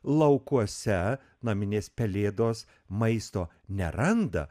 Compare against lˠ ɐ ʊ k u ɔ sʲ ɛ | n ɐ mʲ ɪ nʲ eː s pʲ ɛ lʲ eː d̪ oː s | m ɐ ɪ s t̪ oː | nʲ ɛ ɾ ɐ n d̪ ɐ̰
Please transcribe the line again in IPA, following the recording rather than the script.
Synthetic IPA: lˠ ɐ ʊ k u ɔ sʲ ɛ | n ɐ mʲ ɪ nʲ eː s pʲ ɛ lʲ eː d̪ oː s | m ɐ ɪ s t̪ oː | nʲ ɛ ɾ ɐ n d̪ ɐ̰

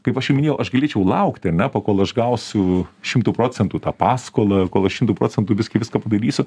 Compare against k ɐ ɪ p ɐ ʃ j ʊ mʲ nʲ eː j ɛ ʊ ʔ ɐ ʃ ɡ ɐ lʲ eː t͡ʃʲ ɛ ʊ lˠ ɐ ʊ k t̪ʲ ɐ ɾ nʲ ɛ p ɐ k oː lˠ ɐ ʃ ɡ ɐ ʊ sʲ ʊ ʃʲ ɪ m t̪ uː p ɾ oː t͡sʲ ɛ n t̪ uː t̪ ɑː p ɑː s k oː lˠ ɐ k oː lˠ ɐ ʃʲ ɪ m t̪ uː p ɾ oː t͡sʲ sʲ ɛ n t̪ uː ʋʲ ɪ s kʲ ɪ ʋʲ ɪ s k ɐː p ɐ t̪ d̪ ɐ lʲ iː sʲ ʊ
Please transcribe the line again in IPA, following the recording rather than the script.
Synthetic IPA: k ɐ ɪ p ɐ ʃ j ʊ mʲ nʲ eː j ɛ ʊ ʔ ɐ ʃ ɡ ɐ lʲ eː t͡ʃʲ ɛ ʊ lˠ ɐ ʊ k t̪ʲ ɐ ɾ nʲ ɛ p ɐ k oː lˠ ɐ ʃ ɡ ɐ ʊ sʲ ʊ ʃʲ ɪ m t̪ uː p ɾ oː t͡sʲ ɛ n t̪ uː t̪ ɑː p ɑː s k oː lˠ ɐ k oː lˠ ɐ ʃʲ ɪ m t̪ uː p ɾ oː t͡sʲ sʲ ɛ n t̪ uː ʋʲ ɪ s kʲ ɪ ʋʲ ɪ s k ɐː p ɐ d̪ ɐ ɾʲ iː sʲ ʊ

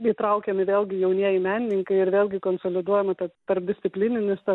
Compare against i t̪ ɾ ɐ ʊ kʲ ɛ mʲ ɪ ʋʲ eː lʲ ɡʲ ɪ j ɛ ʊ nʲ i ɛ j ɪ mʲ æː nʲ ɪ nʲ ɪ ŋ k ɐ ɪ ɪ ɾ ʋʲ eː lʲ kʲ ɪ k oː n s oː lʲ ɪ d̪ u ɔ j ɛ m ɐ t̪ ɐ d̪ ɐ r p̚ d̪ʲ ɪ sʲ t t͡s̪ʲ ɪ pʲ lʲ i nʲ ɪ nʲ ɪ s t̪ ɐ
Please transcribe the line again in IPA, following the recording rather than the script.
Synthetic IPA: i t̪ ɾ ɐ ʊ kʲ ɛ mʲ ɪ ʋʲ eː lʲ ɡʲ ɪ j ɛ ʊ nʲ i ɛ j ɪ mʲ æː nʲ ɪ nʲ ɪ ŋ k ɐ ɪ ɪ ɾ ʋʲ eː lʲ ɡʲ ɪ k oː n s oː lʲ ɪ d̪ u ɔ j ɛ m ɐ t̪ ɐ t̪ ɐ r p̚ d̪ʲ ɪ sʲ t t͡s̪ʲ ɪ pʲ lʲ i nʲ ɪ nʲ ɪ s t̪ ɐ

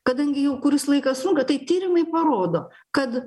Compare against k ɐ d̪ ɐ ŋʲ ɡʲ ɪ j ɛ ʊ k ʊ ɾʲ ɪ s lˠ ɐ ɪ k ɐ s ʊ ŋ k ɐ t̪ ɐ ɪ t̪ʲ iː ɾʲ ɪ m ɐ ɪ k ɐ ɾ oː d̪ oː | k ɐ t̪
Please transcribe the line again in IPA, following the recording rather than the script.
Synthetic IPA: k ɐ d̪ ɐ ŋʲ ɡʲ ɪ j ɛ ʊ k ʊ ɾʲ ɪ s lˠ ɐ ɪ k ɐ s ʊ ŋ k ɐ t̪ ɐ ɪ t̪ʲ iː ɾʲ ɪ m ɐ ɪ p ɐ ɾ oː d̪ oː | k ɐ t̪

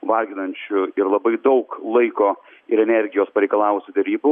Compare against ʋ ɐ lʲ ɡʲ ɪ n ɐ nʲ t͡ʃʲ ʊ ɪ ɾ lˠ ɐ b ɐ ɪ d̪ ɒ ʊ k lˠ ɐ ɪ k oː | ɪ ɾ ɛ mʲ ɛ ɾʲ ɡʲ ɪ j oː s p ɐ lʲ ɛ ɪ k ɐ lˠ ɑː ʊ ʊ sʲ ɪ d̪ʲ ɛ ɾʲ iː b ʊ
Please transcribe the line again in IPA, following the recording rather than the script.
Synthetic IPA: ʋ ɐ lʲ ɡʲ ɪ n ɐ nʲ t͡ʃʲ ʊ ɪ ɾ lˠ ɐ b ɐ ɪ d̪ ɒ ʊ k lˠ ɐ ɪ k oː | ɪ ɾ ɛ nʲ ɛ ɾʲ ɡʲ ɪ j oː s p ɐ ɾʲ ɛ ɪ k ɐ lˠ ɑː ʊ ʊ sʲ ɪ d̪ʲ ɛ ɾʲ iː b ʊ

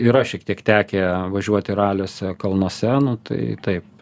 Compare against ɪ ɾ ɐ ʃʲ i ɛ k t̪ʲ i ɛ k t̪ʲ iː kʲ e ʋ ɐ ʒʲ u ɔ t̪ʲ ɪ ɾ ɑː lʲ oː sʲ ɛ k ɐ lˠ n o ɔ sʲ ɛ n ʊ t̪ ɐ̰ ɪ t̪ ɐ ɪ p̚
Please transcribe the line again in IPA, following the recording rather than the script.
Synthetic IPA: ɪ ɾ ɐ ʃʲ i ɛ k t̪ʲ i ɛ k t̪ʲ æː kʲ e ʋ ɐ ʒʲ u ɔ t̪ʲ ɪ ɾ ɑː lʲ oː sʲ ɛ k ɐ lˠ n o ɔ sʲ ɛ n ʊ t̪ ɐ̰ ɪ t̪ ɐ ɪ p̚

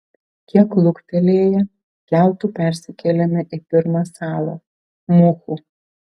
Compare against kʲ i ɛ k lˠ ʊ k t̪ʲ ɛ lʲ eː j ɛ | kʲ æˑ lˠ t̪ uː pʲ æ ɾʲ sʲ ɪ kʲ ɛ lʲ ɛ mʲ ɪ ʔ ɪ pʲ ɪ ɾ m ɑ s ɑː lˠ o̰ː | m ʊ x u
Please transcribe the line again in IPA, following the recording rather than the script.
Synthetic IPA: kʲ i ɛ k lˠ ʊ k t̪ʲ ɛ lʲ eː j ɛ | kʲ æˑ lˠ t̪ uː pʲ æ ɾʲ sʲ ɪ kʲ ɛ lʲ ɛ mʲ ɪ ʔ ɪ pʲ ɪ ɾ m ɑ s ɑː lˠ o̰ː | m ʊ x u

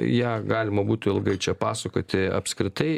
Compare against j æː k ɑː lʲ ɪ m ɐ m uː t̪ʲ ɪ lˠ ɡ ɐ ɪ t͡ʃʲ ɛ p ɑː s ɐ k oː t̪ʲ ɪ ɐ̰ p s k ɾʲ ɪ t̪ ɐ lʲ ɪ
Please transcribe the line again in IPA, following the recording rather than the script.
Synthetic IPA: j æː ɡ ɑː lʲ ɪ m ɐ b uː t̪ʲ ɪ lˠ ɡ ɐ ɪ t͡ʃʲ ɛ p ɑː s ɐ k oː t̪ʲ ɪ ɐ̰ p s k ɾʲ ɪ t̪ ɐ ɪ

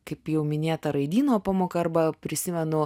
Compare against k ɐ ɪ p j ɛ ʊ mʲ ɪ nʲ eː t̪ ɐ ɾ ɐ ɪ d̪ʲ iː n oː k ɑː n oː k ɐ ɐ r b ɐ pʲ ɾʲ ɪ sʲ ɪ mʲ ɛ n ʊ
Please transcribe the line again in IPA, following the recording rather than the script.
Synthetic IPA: k ɐ ɪ p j ɛ ʊ mʲ ɪ nʲ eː t̪ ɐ ɾ ɐ ɪ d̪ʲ iː n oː p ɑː m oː k ɐ ɐ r b ɐ pʲ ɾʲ ɪ sʲ ɪ mʲ ɛ n ʊ

